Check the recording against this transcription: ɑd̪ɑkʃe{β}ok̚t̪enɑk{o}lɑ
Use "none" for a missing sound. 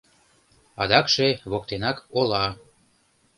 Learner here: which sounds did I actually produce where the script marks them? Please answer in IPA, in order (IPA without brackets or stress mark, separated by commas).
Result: β, o